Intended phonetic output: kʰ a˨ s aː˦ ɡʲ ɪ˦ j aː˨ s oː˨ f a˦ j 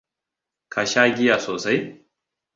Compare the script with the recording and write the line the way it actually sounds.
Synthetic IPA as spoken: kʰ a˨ ʃ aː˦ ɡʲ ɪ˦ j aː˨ s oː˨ s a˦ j